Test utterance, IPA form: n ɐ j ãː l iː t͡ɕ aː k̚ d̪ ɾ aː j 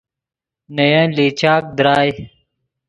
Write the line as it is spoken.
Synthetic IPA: n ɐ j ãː l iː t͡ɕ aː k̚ d̪ ɾ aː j